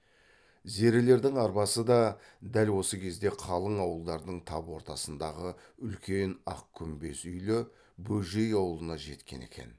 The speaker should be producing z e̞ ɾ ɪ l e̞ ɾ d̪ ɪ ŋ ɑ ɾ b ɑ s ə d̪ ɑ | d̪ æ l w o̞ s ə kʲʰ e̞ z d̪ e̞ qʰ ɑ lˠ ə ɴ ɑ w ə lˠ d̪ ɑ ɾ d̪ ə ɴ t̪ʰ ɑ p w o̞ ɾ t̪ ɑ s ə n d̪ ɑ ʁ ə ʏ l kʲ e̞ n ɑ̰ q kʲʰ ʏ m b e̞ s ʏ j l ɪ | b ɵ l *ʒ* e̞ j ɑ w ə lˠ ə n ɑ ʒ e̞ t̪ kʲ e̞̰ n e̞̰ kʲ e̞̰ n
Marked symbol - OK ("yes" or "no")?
yes